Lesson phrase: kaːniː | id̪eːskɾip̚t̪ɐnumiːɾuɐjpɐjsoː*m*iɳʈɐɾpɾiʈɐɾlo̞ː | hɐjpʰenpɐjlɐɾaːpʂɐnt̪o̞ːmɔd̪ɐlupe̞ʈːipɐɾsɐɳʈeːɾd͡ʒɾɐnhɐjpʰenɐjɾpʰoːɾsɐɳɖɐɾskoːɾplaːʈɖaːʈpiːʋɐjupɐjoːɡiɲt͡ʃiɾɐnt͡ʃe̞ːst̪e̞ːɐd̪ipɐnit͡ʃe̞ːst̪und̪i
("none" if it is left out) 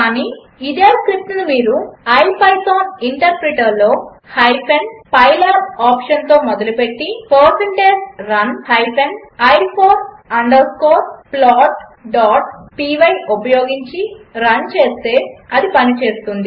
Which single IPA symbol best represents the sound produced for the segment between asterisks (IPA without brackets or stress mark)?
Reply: n